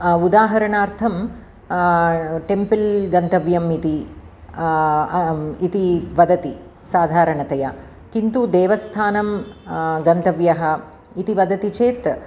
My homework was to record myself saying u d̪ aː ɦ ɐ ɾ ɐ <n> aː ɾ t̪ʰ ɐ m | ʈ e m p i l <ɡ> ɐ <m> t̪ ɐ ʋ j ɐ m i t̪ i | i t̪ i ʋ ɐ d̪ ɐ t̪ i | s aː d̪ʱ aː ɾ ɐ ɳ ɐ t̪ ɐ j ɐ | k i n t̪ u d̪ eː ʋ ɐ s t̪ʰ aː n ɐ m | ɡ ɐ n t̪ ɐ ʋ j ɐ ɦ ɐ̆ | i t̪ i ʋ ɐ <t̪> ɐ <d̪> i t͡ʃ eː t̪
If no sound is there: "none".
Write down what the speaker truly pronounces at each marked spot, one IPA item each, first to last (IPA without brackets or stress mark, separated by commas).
ɳ, ɡ, n, d̪, t̪